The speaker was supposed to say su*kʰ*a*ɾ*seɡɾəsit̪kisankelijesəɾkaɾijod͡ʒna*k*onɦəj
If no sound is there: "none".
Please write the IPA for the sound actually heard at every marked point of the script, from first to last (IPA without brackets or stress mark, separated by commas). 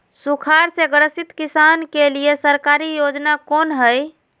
kʰ, ɾ, k